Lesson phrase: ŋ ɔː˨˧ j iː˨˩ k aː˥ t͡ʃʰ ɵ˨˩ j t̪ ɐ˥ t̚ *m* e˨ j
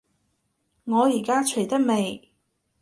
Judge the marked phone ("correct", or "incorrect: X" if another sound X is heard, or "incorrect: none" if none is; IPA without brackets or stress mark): correct